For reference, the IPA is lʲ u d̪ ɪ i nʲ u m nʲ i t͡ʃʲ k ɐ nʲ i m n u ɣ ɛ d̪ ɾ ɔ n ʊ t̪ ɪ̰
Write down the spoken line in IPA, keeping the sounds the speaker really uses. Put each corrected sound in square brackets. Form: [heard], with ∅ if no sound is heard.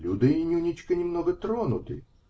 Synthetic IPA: lʲ u d̪ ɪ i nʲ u [∅] nʲ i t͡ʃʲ k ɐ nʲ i m n [ɔ] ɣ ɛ [t̪] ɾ ɔ n ʊ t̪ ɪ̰